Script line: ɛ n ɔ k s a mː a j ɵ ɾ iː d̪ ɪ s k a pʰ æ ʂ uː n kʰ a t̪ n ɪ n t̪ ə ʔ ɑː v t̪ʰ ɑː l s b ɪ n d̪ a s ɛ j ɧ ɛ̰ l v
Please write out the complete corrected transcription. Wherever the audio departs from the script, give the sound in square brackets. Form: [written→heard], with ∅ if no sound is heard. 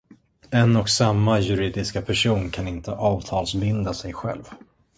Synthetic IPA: ɛ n ɔ k s a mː a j ɵ ɾ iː d̪ ɪ s k a pʰ æ ʂ uː n kʰ a [t̪→∅] n ɪ n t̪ ə ʔ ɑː v t̪ʰ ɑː l s b ɪ n d̪ a s ɛ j ɧ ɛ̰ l v